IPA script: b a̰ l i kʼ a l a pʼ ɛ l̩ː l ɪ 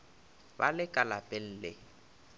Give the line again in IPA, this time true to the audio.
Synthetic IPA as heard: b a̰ l ɪ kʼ a l a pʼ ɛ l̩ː l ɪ